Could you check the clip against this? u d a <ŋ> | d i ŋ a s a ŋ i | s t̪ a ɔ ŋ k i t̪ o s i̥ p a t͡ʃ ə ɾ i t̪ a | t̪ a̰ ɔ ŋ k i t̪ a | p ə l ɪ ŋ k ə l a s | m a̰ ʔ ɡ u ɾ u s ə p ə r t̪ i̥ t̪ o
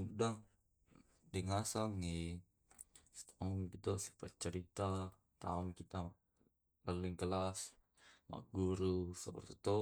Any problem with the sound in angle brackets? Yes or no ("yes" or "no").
no